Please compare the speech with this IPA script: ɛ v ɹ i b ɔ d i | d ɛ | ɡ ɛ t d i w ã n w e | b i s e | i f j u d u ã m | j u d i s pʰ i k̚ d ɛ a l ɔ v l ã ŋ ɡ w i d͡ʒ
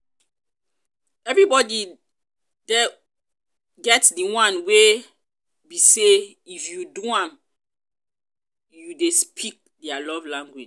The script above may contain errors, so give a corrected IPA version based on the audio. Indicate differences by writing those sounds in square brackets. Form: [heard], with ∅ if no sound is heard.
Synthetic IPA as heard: ɛ v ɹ i b ɔ d i | d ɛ | ɡ ɛ t d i w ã n w e | b i s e | i f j u d u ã m | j u d [e] s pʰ i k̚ d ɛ a l ɔ v l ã ŋ ɡ w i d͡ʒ